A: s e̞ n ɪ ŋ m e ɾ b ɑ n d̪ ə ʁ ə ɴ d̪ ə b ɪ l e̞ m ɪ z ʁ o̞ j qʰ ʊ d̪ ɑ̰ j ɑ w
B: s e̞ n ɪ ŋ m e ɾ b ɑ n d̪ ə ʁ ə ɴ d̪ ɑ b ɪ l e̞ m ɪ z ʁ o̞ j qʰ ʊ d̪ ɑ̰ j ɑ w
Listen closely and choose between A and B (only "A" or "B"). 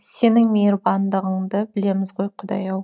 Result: A